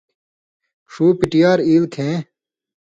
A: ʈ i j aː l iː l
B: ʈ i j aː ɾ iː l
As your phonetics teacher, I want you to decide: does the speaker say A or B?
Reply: B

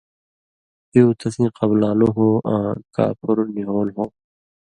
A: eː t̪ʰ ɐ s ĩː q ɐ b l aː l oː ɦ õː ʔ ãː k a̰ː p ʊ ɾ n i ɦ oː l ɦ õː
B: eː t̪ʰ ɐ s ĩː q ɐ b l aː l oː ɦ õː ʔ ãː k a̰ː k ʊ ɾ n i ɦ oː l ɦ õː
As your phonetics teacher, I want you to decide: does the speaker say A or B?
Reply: A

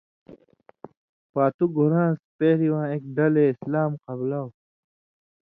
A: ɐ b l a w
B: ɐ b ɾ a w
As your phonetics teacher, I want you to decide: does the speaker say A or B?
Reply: A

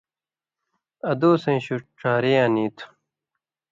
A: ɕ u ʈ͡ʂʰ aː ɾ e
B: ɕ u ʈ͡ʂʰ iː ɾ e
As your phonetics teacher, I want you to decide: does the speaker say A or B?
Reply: A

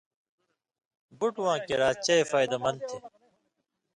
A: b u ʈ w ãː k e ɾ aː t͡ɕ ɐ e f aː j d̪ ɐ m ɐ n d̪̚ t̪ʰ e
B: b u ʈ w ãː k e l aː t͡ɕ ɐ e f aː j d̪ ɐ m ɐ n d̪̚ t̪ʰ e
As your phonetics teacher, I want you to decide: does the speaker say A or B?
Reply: A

